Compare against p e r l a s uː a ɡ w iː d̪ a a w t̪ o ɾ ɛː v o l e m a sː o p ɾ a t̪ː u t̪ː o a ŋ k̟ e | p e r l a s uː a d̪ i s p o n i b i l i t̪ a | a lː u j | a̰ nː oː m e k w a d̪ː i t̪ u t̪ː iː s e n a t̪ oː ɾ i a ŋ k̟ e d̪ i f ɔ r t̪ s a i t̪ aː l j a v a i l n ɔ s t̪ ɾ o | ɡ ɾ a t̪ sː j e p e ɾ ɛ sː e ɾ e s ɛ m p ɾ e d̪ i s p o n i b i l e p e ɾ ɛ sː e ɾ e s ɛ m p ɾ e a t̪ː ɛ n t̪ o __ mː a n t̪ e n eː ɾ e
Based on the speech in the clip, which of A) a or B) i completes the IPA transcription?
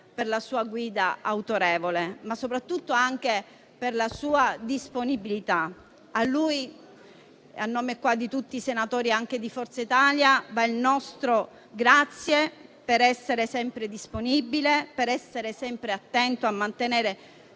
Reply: A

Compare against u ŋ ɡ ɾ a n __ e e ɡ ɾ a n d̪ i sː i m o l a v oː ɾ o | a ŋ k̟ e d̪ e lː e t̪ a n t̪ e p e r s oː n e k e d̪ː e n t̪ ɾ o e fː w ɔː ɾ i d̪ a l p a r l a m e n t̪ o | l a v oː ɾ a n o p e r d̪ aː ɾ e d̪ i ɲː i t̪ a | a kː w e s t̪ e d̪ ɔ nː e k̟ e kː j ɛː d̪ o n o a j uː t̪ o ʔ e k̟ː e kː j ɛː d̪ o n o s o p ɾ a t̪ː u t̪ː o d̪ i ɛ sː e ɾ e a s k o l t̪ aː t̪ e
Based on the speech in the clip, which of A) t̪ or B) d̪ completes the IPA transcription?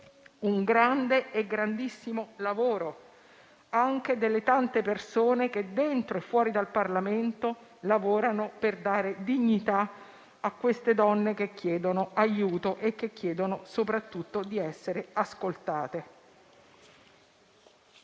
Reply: B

